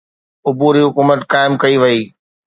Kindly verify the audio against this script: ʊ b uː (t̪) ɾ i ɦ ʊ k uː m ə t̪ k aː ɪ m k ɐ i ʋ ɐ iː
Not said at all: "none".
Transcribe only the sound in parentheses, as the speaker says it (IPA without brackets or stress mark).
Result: none